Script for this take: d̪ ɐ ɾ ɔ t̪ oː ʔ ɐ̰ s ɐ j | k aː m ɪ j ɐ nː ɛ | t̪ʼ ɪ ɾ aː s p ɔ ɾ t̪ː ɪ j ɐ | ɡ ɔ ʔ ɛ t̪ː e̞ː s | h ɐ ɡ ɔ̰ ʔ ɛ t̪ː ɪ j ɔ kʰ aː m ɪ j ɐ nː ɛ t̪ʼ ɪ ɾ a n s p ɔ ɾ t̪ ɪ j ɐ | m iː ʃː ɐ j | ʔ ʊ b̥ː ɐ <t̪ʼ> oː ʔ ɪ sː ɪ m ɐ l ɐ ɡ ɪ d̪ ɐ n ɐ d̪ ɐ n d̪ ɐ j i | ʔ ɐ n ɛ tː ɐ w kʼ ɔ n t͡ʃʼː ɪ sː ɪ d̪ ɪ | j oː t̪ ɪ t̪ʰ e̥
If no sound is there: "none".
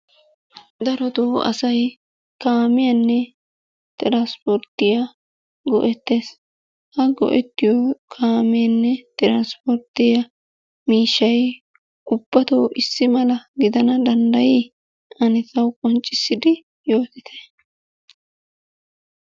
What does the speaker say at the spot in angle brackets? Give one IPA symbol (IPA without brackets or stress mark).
t̪